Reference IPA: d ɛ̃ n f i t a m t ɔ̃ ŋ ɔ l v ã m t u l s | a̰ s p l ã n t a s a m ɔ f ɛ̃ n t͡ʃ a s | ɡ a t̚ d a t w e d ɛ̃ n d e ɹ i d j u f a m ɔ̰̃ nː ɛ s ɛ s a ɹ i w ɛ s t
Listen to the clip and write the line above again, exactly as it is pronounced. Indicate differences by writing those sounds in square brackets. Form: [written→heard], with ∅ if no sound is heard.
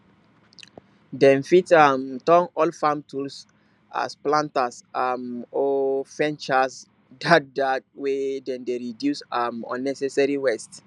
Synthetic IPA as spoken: d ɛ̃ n f i t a m t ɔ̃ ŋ ɔ l [v→f] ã m t u l s | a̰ s p l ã n t a s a m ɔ f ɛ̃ n t͡ʃ a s | [ɡ→d] a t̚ d a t w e d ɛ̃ n d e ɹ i d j u [f→s] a m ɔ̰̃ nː ɛ s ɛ s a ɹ i w ɛ s t